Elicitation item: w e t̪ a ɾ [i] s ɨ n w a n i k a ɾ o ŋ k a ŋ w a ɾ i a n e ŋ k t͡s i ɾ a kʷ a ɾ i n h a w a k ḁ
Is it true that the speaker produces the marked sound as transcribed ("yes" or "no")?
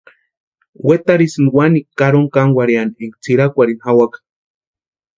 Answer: yes